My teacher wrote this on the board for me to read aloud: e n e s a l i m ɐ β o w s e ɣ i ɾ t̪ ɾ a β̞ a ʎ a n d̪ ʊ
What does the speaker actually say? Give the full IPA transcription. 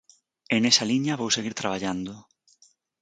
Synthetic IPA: e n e s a l i ɲ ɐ β o w s e ɣ i ɾ t̪ ɾ a β̞ a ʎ a n d̪ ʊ